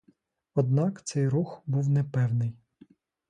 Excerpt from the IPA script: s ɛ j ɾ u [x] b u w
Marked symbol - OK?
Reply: yes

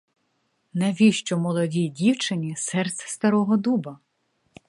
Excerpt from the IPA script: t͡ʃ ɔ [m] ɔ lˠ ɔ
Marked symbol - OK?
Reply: yes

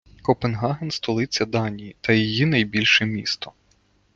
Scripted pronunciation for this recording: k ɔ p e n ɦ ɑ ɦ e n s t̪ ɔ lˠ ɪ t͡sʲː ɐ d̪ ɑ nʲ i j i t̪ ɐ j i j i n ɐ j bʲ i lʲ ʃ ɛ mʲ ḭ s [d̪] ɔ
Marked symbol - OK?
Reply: no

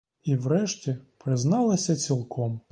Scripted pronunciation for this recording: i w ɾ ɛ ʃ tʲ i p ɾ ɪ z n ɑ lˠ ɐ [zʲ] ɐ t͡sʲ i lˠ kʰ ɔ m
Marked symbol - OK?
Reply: no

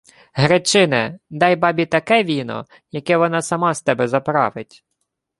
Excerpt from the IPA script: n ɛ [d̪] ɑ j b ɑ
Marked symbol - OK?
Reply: yes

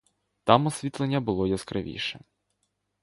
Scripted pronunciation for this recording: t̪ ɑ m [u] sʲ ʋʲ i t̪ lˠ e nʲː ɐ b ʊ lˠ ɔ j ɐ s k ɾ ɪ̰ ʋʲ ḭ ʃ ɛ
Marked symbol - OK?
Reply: no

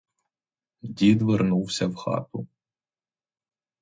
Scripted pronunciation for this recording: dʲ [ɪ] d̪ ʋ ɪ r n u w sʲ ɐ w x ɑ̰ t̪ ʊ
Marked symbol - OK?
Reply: no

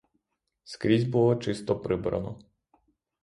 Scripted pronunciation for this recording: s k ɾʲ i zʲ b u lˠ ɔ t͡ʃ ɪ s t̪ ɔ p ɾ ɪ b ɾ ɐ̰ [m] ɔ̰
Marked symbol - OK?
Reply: no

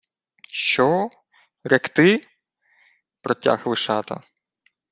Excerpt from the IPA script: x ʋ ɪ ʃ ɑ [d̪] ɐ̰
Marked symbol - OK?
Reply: no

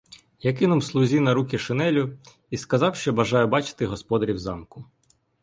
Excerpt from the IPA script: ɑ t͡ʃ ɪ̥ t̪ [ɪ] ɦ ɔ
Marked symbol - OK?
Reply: yes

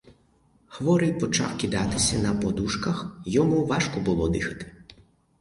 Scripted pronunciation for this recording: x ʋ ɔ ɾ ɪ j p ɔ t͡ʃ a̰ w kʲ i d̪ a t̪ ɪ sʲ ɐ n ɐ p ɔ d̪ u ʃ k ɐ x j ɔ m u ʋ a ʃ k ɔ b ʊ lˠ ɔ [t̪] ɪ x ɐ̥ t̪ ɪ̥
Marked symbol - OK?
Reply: no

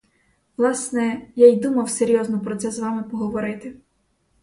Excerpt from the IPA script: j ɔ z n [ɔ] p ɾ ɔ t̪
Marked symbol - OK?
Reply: yes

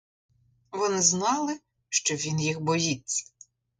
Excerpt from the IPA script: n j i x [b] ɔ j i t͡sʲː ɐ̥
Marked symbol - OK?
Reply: yes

